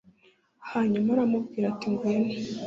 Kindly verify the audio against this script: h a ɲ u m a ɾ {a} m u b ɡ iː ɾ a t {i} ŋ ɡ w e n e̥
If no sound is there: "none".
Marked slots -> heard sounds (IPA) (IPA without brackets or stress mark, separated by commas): a, i